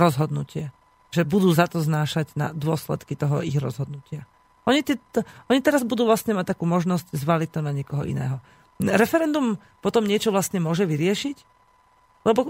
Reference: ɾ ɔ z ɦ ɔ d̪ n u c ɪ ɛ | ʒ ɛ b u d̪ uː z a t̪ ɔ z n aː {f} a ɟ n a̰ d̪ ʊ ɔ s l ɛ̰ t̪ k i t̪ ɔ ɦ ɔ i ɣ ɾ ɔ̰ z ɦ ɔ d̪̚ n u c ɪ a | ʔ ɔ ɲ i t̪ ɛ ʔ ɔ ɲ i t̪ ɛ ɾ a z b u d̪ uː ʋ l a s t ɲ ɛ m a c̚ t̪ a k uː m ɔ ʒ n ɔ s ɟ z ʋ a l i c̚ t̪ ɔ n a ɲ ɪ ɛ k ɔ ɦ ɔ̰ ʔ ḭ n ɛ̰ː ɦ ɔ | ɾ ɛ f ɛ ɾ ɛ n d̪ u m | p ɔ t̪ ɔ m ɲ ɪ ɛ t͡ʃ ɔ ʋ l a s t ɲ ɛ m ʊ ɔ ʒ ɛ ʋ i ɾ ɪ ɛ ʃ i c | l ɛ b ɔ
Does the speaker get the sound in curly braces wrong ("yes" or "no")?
yes